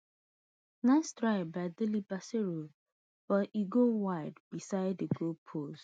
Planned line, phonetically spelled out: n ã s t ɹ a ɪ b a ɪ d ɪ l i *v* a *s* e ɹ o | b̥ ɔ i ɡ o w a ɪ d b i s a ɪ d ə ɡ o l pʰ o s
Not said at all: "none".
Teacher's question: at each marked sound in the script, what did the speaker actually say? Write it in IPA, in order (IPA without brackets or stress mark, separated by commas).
b, s